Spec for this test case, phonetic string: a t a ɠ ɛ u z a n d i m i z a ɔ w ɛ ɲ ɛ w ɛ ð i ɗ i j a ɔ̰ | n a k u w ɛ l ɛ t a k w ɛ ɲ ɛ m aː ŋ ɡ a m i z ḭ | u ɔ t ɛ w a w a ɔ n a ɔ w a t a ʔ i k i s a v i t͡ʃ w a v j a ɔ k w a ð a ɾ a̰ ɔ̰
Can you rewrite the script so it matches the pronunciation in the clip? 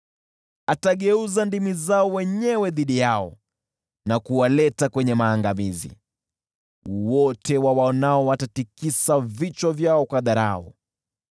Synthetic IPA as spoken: a t a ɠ ɛ u z a n d i m i z a ɔ w ɛ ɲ ɛ w ɛ ð i ɗ i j a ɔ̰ | n a k u w a l ɛ t a k w ɛ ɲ ɛ m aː ŋ ɡ a m i z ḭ | w ɔ t ɛ w a w a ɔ n a ɔ w a t a t i k i s a v i t͡ʃ w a v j a ɔ k w a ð a ɾ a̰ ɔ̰